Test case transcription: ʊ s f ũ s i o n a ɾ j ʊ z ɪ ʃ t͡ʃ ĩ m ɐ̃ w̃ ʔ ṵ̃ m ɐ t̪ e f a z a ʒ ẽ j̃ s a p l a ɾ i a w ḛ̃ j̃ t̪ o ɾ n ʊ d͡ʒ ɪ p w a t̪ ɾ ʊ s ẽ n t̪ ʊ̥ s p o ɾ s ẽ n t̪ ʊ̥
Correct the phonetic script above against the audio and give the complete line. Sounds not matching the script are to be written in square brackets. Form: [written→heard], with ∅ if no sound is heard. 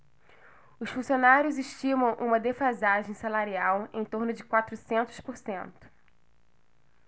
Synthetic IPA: ʊ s f ũ s i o n a ɾ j ʊ z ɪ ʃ t͡ʃ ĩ m ɐ̃ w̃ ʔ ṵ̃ m ɐ [t̪→d̪] e f a z a ʒ ẽ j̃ s a [p→∅] l a ɾ i a w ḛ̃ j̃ t̪ o ɾ n ʊ d͡ʒ ɪ [p→k] w a t̪ ɾ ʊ s ẽ n t̪ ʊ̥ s p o ɾ s ẽ n t̪ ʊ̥